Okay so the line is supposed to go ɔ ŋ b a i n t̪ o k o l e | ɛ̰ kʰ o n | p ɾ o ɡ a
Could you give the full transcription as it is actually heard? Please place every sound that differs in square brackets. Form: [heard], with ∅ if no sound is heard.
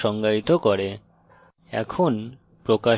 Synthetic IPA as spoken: ɔ ŋ [ɡ] a i [∅] t̪ o k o [ɾ] e | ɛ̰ kʰ o n | p ɾ o [k] a